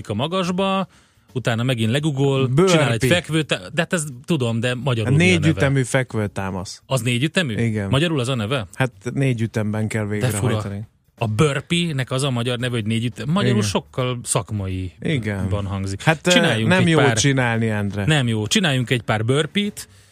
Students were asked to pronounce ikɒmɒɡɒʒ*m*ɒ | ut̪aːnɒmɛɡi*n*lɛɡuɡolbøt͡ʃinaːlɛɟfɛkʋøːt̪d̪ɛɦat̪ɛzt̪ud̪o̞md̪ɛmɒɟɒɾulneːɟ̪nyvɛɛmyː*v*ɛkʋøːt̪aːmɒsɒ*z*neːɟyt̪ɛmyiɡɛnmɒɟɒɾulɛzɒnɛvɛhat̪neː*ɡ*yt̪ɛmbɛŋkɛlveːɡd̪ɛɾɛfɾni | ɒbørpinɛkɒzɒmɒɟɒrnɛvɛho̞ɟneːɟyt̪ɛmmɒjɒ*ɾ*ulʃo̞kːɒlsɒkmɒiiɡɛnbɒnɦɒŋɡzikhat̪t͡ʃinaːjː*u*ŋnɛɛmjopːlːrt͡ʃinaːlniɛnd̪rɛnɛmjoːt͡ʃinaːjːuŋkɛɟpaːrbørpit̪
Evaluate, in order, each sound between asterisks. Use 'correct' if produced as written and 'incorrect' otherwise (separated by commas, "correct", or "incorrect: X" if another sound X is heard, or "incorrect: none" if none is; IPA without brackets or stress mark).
incorrect: b, correct, incorrect: f, correct, incorrect: ɟ, correct, correct